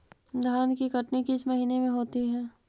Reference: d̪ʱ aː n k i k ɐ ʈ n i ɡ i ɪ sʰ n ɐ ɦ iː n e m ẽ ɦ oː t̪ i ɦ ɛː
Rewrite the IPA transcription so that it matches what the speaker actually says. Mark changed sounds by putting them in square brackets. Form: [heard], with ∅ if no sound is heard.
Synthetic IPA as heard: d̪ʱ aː n k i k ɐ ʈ n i [k] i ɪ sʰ [m] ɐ ɦ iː n e m ẽ ɦ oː t̪ i ɦ ɛː

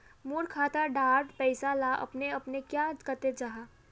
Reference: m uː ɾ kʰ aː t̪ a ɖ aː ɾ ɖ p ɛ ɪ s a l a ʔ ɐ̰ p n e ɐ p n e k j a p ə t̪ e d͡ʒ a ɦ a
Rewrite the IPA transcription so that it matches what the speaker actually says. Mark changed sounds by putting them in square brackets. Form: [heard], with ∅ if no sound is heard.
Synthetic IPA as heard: m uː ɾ kʰ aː t̪ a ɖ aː ɾ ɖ p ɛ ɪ s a l a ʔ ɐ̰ p n e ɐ p n e k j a [k] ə t̪ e d͡ʒ a ɦ a

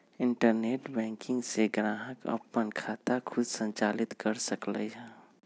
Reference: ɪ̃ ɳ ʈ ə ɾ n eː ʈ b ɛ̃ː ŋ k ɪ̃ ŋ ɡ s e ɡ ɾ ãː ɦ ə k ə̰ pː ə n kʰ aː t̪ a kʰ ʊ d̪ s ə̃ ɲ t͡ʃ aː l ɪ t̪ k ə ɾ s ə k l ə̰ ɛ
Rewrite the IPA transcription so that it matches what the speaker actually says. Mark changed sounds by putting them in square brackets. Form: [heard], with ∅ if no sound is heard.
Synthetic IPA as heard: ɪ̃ ɳ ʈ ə ɾ n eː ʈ b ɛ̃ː ŋ k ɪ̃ ŋ ɡ s e ɡ ɾ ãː ɦ ə k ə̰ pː ə n kʰ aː t̪ a kʰ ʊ d̪ s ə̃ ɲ t͡ʃ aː l ɪ t̪ k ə ɾ s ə k l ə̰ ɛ

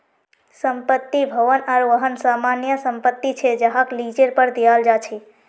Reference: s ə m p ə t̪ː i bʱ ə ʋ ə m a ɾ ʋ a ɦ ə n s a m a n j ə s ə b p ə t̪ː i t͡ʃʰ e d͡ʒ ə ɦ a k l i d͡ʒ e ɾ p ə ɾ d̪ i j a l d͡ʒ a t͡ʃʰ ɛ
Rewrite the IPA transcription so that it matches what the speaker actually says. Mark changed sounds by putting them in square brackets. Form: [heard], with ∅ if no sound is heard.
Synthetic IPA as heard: s ə m p ə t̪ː i bʱ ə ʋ ə [n] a ɾ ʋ [ə] ɦ ə n s a m a n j ə s ə [m] p ə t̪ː i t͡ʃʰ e d͡ʒ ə ɦ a k l i d͡ʒ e ɾ p ə ɾ d̪ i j a l d͡ʒ a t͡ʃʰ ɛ

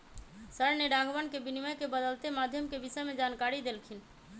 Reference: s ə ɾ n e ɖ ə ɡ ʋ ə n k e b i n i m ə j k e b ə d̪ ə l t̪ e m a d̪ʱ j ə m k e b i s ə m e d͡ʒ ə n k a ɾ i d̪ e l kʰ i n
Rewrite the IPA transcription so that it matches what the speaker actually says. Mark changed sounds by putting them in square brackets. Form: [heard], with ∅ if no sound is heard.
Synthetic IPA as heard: s ə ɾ n e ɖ [a] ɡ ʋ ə n k e b i n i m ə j k e b ə d̪ ə l t̪ e m a d̪ʱ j ə m k e b i s ə m e d͡ʒ [a] n k a ɾ i d̪ e l kʰ i n

